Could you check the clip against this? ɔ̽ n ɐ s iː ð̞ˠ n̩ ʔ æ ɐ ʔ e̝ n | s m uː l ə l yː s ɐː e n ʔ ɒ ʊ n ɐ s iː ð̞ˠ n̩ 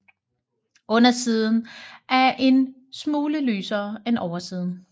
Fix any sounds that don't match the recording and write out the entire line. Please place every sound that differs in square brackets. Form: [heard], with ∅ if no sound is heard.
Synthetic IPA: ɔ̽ n ɐ s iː ð̞ˠ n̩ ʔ æ ɐ ʔ e̝ n | s m uː l ə l yː s ɐː e n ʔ ɒ ʊ [∅] ɐ s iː ð̞ˠ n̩

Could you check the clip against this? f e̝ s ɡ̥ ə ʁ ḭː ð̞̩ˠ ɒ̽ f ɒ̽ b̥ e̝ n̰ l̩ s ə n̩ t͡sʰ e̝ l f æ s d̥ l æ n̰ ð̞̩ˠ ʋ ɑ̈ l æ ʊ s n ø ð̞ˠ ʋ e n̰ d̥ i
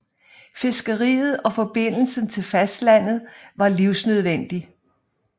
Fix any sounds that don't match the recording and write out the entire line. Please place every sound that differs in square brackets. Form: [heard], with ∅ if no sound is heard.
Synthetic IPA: f e̝ s ɡ̥ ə ʁ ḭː ð̞̩ˠ ɒ̽ f ɒ̽ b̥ e̝ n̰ l̩ s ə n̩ t͡sʰ e̝ l f æ s d̥ l æ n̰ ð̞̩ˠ ʋ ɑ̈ l [i] ʊ s n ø ð̞ˠ ʋ e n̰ d̥ i

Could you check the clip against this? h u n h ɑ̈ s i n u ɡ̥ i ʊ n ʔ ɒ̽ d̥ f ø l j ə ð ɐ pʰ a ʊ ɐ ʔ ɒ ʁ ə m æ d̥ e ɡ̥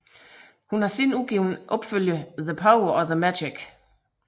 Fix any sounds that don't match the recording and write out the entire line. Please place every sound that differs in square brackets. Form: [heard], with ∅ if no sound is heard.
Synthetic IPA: h u n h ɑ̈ s i n u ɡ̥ i ʊ n ʔ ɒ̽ [b̥] f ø l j ə ð [ə] pʰ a ʊ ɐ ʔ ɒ [ð] ə m æ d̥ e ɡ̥

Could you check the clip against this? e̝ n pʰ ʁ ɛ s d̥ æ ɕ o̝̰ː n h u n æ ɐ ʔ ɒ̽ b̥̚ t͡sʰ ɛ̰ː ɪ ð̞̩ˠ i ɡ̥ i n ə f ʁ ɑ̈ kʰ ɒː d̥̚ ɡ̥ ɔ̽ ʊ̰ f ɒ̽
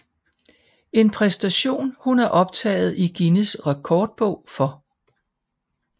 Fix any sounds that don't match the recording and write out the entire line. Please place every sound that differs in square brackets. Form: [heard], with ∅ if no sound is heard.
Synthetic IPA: e̝ n pʰ ʁ ɛ s d̥ æ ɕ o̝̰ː n h u n æ ɐ ʔ ɒ̽ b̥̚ t͡sʰ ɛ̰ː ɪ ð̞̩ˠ i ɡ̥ i n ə [s] ʁ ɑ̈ kʰ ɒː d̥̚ [b̥] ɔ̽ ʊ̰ f ɒ̽

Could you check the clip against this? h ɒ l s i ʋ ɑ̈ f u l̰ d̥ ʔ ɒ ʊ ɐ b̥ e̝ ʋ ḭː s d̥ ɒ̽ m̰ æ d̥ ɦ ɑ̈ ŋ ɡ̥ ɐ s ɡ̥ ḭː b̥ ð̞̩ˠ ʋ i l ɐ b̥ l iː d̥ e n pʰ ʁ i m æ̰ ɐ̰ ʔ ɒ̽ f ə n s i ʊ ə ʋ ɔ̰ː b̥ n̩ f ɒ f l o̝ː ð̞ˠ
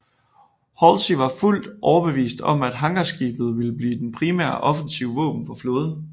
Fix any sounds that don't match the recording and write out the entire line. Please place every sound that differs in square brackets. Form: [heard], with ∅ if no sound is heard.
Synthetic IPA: h ɒ l s i ʋ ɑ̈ f u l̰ d̥ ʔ ɒ ʊ ɐ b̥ e̝ ʋ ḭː s d̥ ɒ̽ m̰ æ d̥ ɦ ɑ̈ ŋ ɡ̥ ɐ s ɡ̥ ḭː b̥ ð̞̩ˠ ʋ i l [ə] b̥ l iː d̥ e n pʰ ʁ i m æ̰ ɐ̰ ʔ ɒ̽ f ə n s i ʊ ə ʋ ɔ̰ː b̥ n̩ f ɒ f l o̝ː ð̞ˠ

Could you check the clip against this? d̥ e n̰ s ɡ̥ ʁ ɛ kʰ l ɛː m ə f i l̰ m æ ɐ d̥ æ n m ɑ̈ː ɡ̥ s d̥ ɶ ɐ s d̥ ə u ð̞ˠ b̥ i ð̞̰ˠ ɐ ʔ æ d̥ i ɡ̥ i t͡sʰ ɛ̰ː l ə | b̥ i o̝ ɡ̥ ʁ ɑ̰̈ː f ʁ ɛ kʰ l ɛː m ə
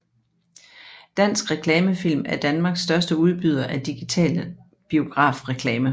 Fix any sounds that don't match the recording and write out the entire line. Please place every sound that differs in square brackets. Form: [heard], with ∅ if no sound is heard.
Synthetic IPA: d̥ [æ] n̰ s ɡ̥ ʁ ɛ kʰ l ɛː m ə f i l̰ m æ ɐ d̥ æ n m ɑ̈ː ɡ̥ s d̥ ɶ ɐ s d̥ ə u ð̞ˠ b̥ [y] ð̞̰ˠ ɐ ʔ æ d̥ i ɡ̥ i t͡sʰ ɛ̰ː l ə | b̥ i o̝ ɡ̥ ʁ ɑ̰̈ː f ʁ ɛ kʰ l ɛː m ə

